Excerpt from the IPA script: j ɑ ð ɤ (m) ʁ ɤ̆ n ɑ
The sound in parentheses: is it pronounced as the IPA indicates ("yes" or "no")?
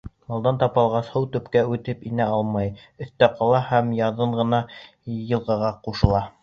no